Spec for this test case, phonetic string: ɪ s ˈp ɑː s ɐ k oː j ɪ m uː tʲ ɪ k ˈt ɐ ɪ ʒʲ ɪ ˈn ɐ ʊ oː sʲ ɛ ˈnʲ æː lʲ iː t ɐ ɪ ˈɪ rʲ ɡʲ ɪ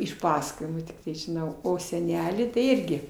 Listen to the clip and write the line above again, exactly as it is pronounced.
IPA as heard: ɪ ʃ ˈp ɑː s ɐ k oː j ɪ m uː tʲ ɪ k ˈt ɐ ɪ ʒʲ ɪ ˈn ɐ ʊ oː sʲ ɛ ˈnʲ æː lʲ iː t ɐ ɪ ˈɪ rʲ ɡʲ ɪ

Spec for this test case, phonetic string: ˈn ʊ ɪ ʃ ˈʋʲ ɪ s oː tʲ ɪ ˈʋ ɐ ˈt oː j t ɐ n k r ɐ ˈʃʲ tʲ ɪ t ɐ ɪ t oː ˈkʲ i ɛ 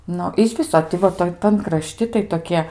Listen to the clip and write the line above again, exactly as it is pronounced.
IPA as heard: ˈn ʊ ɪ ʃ ˈʋʲ ɪ s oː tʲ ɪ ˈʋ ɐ ˈt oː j t ɐ n k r ɐ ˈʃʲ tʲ ɪ t ɐ ɪ t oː ˈkʲ i ɛ

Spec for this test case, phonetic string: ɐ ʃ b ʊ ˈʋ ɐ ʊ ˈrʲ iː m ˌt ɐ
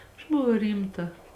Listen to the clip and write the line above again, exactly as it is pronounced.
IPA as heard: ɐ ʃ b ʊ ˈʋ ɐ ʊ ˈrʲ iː m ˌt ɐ

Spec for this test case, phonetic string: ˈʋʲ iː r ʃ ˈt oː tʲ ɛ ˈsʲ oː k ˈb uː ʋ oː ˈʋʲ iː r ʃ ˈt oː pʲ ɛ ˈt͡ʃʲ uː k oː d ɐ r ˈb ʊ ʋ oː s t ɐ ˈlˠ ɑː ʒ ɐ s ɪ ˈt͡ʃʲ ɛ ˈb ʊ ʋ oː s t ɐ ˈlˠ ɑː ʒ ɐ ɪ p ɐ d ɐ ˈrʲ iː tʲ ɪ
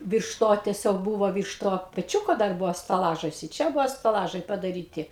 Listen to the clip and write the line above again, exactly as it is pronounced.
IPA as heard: ˈʋʲ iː r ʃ ˈt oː tʲ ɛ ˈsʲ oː k ˈb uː ʋ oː ˈʋʲ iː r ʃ ˈt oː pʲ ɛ ˈt͡ʃʲ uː k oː d ɐ r ˈb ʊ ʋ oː s t ɐ ˈlˠ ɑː ʒ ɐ s ɪ ˈt͡ʃʲ ɛ ˈb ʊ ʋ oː s t ɐ ˈlˠ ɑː ʒ ɐ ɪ p ɐ d ɐ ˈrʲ iː tʲ ɪ

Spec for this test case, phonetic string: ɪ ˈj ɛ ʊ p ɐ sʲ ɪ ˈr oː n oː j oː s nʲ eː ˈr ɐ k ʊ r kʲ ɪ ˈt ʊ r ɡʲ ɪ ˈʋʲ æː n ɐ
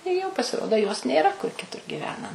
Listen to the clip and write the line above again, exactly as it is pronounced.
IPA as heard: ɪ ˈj ɛ ʊ p ɐ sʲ ɪ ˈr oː d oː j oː s nʲ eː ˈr ɐ k ʊ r kʲ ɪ ˈt ʊ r ɡʲ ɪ ˈʋʲ æː n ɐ

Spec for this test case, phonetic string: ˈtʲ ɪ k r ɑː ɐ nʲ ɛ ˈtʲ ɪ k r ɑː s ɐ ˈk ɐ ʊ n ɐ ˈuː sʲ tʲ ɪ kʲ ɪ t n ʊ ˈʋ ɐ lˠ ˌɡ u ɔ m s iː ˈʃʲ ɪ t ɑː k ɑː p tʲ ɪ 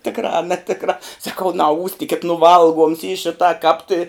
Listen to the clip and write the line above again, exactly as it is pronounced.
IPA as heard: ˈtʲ ɪ k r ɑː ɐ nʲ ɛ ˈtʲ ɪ k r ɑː s ɐ ˈk ɐ ʊ n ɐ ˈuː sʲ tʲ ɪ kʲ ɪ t n ʊ ˈʋ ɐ lˠ ˌɡ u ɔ m s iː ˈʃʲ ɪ t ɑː k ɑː p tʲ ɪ

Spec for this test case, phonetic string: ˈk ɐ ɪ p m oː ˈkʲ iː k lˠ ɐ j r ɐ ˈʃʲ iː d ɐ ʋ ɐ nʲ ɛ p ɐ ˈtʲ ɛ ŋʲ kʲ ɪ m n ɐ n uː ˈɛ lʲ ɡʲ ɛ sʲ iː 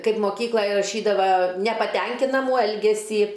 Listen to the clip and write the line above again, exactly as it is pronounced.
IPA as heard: ˈk ɐ ɪ p m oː ˈkʲ iː k lˠ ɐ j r ɐ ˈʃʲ iː d ɐ ʋ ɐ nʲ ɛ p ɐ ˈtʲ ɛ ŋʲ kʲ ɪ n ɐ m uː ˈɛ lʲ ɡʲ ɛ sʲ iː

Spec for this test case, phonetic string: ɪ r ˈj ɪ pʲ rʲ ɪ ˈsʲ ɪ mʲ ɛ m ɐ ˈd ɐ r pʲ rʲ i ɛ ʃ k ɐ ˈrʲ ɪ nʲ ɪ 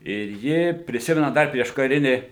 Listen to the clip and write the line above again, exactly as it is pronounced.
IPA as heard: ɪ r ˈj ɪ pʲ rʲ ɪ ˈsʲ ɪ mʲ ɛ n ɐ ˈd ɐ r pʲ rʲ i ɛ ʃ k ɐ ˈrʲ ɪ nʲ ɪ

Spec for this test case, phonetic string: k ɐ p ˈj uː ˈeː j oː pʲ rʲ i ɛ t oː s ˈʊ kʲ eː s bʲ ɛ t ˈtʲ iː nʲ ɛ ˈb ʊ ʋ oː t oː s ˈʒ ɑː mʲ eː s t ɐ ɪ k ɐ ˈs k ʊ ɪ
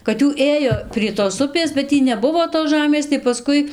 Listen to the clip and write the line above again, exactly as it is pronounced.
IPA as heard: k ɐ t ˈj uː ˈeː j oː pʲ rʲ i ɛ t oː s ˈʊ pʲ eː s bʲ ɛ t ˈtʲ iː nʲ ɛ ˈb ʊ ʋ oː t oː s ˈʒ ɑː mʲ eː s t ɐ ɪ p ɐ ˈs k ʊ ɪ

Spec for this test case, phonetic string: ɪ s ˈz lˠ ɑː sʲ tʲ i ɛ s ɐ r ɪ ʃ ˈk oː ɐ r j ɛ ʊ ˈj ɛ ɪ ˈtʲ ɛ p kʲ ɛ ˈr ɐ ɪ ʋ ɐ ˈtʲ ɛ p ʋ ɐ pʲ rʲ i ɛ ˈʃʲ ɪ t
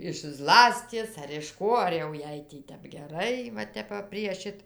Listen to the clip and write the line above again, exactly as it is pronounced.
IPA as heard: ɪ ʃ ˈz lˠ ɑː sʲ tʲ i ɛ s ɐ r ɪ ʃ ˈk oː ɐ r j ɛ ʊ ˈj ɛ ɪ ˈtʲ ɛ p ɡʲ ɛ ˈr ɐ ɪ ʋ ɐ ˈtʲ ɛ p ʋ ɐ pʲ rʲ i ɛ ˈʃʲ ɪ t

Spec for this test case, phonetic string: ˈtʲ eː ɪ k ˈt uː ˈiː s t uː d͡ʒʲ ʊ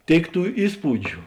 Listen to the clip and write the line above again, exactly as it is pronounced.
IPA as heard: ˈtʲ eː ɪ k ˈt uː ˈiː s p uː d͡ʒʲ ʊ

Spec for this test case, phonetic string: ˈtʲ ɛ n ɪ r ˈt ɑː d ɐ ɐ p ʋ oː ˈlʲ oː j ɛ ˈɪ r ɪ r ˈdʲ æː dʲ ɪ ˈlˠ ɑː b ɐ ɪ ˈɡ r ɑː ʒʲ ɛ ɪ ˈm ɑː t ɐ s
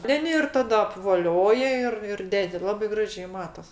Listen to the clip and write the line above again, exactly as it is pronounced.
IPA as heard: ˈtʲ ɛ n ɪ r ˈt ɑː d ɐ ɐ p ʋ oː ˈlʲ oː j ɛ ˈɪ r ɪ r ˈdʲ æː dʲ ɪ ˈlˠ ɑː b ɐ ɪ ˈɡ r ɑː ʒʲ ɛ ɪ ˈm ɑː t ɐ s

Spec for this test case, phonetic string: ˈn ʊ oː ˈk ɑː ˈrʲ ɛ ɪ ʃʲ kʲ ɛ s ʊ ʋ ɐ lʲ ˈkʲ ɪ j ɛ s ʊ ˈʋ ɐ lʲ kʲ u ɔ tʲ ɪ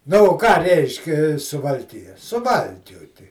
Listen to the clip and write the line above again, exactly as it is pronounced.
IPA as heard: ˈn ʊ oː ˈk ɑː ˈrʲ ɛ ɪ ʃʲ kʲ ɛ s ʊ ʋ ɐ lʲ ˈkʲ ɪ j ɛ s ʊ ˈʋ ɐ lʲ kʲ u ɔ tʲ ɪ

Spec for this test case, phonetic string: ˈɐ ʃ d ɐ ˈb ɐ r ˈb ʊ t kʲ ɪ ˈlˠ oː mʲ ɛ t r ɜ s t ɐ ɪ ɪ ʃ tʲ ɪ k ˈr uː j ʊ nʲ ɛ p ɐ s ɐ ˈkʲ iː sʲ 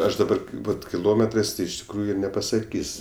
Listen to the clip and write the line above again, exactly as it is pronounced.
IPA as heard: ˈɐ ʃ d ɐ ˈb ɐ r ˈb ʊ t kʲ ɪ ˈlˠ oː mʲ ɛ t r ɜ s t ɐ ɪ ɪ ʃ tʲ ɪ k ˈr uː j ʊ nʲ ɛ p ɐ s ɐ ˈkʲ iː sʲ

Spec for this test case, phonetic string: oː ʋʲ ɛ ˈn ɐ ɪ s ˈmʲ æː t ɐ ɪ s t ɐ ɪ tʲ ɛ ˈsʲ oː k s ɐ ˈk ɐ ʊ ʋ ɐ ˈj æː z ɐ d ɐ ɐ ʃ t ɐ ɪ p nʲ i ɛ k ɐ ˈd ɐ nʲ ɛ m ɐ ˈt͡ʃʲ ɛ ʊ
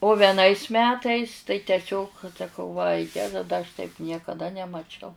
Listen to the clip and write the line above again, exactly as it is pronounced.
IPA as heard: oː ʋʲ ɛ ˈn ɐ ɪ s ˈmʲ æː t ɐ ɪ s t ɐ ɪ tʲ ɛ ˈsʲ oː k s ɐ ˈk ɐ ʊ ʋ ɐ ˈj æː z ɐ d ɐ ɐ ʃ t ɐ ɪ p nʲ i ɛ k ɐ ˈd ɐ nʲ ɛ m ɐ ˈt͡ʃʲ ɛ ʊ

